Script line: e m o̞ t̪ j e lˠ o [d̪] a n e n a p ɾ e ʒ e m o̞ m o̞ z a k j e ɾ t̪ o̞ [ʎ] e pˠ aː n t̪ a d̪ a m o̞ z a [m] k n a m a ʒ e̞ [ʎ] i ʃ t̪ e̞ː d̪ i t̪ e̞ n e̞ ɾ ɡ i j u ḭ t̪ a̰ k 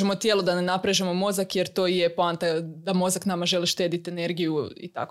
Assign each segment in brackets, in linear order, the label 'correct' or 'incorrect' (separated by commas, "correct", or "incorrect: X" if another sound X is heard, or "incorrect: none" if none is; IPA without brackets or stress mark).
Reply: correct, incorrect: j, incorrect: none, incorrect: l